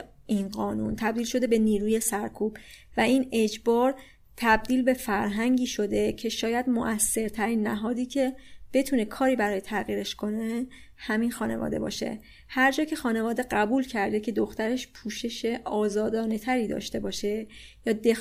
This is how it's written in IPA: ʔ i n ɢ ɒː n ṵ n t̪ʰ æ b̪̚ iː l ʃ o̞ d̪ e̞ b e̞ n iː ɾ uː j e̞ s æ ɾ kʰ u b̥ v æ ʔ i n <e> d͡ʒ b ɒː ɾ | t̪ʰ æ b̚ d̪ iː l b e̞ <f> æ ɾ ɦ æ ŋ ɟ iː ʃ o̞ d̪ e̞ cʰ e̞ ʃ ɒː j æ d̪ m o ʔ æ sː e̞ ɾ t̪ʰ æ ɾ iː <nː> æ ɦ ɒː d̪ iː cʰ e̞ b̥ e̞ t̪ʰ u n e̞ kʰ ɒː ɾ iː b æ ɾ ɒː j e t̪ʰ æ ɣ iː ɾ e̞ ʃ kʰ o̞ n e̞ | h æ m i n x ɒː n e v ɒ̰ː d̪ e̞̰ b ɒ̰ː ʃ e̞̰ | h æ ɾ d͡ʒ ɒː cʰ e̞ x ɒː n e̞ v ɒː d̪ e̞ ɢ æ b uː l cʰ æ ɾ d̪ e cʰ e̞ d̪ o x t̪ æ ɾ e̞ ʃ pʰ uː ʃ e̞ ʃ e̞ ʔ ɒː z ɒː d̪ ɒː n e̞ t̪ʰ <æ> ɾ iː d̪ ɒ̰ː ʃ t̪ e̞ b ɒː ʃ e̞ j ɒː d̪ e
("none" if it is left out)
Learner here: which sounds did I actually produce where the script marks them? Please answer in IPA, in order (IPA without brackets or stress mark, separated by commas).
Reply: e, f, nː, æ